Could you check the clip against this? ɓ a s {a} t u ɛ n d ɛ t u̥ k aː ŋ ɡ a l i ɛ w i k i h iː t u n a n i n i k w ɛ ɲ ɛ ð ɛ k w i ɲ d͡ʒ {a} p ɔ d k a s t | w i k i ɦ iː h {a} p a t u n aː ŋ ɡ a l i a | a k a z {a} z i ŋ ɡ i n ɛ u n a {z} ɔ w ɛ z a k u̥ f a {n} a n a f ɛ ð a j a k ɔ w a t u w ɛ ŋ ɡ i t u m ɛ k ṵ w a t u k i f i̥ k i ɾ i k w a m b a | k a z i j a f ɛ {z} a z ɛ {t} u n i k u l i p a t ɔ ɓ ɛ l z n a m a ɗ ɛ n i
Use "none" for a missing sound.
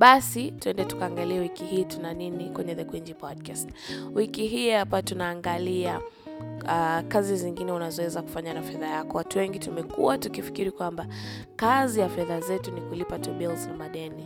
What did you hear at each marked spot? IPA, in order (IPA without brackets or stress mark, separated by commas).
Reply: i, i, a, i, z, ɲ, ð, t